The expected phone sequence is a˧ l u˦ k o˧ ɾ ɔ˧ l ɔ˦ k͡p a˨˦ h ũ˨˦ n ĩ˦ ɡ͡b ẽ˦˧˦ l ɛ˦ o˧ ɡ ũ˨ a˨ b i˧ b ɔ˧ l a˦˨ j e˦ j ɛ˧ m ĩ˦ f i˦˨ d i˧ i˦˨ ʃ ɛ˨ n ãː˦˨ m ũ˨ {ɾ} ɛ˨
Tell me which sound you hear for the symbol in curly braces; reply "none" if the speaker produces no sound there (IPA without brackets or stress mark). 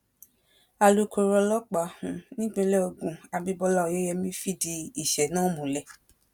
l